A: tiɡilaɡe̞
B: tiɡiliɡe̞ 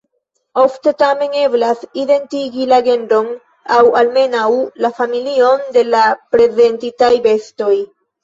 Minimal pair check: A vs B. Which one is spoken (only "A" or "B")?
A